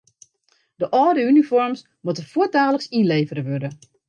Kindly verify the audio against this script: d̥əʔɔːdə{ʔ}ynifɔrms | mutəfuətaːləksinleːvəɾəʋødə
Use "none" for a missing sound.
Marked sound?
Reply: none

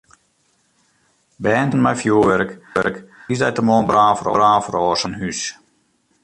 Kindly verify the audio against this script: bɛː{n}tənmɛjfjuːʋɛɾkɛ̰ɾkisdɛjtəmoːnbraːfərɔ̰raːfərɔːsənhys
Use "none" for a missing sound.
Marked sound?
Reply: n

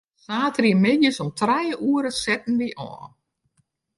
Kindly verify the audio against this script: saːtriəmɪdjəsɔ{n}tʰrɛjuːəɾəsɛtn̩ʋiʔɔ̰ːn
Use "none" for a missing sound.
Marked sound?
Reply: m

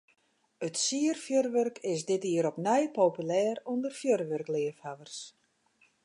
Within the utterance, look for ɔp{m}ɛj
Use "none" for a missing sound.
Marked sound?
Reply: n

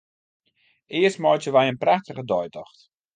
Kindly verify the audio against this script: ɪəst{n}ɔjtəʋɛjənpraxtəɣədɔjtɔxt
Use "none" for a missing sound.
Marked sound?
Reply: m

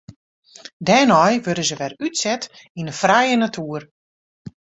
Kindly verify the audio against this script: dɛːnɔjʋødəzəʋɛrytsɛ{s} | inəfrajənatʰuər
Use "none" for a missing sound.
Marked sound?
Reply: t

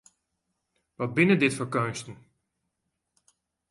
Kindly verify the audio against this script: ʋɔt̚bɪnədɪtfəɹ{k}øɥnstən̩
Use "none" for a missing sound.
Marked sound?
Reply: k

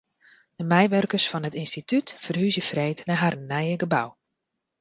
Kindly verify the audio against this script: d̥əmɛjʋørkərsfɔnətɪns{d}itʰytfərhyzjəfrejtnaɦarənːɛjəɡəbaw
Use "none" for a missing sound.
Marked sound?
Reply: t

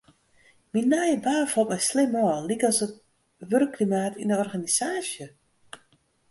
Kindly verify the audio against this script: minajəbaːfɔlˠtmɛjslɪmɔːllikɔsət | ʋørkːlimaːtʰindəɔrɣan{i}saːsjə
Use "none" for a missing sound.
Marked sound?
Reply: i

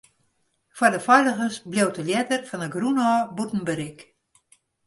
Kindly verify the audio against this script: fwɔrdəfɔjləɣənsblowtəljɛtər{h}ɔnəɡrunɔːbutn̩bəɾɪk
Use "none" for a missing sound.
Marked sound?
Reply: f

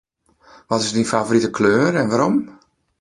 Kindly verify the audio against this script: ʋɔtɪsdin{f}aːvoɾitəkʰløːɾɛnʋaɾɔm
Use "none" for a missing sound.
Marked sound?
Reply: f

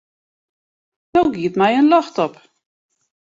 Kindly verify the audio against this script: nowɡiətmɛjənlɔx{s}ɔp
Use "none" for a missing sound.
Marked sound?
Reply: t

